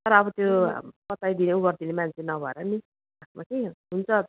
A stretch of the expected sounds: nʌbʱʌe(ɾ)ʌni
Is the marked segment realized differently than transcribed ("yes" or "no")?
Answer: no